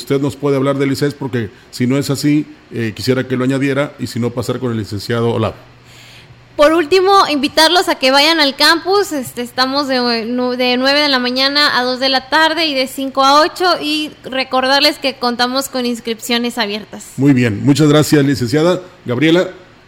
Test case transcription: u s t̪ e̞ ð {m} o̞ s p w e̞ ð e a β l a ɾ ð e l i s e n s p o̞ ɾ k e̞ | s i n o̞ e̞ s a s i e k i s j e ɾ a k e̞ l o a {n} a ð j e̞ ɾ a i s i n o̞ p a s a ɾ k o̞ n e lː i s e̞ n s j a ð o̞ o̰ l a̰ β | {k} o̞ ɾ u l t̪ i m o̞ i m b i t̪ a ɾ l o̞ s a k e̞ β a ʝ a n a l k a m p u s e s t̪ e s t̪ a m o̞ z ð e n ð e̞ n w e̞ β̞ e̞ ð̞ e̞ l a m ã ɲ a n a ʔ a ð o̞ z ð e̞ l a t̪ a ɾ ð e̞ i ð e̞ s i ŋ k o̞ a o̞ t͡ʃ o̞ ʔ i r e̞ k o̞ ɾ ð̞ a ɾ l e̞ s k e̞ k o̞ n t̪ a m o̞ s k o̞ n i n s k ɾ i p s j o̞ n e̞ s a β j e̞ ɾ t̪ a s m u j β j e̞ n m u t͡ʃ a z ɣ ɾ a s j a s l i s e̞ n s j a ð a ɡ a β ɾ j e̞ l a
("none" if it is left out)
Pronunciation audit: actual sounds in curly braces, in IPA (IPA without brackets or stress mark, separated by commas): n, ɲ, p